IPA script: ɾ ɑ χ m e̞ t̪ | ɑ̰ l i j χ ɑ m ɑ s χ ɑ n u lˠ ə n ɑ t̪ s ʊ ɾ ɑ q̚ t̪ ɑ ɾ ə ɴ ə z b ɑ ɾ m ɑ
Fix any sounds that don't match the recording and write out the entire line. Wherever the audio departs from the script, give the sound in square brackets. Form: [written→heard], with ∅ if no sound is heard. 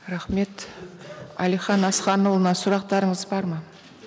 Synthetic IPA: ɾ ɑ χ m e̞ t̪ | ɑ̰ l i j χ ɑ [m→n] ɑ s χ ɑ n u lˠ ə n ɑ [t̪→∅] s ʊ ɾ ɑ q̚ t̪ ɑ ɾ ə ɴ ə z b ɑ ɾ m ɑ